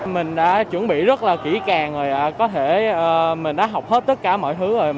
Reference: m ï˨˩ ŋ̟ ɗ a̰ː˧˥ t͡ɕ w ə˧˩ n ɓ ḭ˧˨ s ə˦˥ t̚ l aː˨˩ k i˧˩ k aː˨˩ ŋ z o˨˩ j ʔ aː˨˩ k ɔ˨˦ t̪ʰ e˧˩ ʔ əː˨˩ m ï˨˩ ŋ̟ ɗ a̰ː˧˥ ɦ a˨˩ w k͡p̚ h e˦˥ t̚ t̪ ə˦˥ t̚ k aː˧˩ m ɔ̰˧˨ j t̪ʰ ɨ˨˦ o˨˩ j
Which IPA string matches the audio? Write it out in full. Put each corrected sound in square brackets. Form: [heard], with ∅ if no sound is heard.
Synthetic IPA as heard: m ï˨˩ ŋ̟ ɗ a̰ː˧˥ t͡ɕ w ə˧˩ n ɓ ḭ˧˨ [z] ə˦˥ t̚ l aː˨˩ k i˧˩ k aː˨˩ ŋ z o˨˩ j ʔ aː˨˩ k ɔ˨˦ t̪ʰ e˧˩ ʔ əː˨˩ m ï˨˩ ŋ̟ ɗ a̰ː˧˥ ɦ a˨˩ w k͡p̚ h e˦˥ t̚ t̪ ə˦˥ t̚ k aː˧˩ m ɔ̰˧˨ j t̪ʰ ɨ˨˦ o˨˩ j